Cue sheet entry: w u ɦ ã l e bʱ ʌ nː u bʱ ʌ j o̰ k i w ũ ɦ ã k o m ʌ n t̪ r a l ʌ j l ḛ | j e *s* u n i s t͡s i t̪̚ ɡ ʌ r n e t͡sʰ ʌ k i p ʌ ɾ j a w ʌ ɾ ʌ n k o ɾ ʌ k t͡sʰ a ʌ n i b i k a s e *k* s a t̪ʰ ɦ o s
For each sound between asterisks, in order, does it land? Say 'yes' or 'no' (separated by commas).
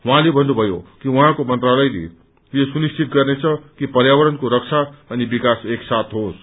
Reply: yes, yes